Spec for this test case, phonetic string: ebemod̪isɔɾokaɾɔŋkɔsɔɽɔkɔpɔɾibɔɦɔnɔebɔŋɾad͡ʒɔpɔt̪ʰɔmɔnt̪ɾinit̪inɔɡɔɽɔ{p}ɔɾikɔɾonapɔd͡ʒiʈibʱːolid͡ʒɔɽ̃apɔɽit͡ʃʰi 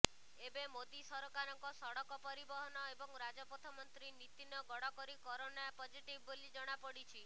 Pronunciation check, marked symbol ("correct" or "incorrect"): incorrect